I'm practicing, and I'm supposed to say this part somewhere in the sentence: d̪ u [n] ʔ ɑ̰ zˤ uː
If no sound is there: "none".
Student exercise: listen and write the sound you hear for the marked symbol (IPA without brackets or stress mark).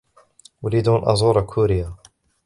n